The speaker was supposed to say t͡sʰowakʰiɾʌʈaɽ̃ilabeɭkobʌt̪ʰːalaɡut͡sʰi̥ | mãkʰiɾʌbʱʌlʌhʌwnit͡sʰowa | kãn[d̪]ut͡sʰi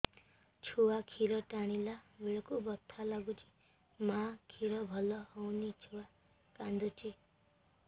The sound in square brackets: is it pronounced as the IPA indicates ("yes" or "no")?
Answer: yes